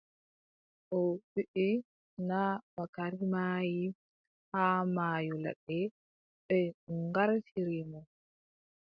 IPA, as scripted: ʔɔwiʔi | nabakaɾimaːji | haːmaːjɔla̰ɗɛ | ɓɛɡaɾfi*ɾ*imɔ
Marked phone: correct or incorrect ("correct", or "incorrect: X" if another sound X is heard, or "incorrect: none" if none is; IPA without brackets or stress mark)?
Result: correct